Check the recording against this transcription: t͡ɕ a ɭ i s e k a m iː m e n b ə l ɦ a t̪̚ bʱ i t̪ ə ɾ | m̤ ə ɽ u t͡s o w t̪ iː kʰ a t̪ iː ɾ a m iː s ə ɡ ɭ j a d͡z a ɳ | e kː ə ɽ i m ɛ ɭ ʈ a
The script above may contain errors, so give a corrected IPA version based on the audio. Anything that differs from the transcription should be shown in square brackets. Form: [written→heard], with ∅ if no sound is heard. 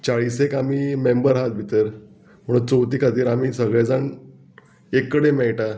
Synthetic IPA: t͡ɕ a ɭ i s e k a m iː m e [n→m] b ə [l→ɾ] ɦ a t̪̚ bʱ i t̪ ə ɾ | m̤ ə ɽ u t͡s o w t̪ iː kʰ a t̪ iː ɾ a m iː s ə ɡ ɭ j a d͡z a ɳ | e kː ə ɽ [i→e] m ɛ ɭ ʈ a